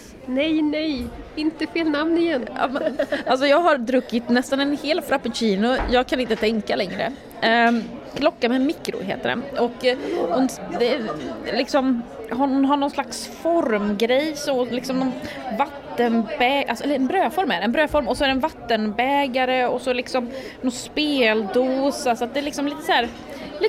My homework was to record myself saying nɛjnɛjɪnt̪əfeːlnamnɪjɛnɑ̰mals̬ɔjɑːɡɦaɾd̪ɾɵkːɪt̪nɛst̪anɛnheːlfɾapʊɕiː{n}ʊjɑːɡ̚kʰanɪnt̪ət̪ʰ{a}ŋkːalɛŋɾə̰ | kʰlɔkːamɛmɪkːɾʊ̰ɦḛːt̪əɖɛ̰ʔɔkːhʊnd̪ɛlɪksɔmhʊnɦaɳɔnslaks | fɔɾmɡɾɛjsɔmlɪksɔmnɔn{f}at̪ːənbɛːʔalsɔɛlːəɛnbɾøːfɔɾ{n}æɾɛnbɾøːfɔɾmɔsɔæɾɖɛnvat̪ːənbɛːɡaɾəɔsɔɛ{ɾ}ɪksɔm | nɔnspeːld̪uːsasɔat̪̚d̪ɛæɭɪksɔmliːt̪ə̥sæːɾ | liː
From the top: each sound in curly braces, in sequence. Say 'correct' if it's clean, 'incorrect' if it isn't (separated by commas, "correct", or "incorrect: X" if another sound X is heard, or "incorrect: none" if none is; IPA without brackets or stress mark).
correct, incorrect: ɛ, incorrect: v, incorrect: m, incorrect: l